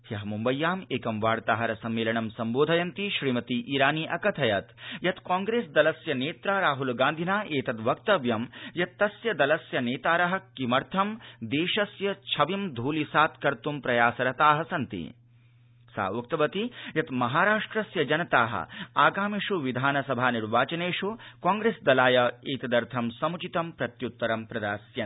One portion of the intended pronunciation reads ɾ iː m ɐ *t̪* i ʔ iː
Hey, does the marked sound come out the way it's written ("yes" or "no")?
yes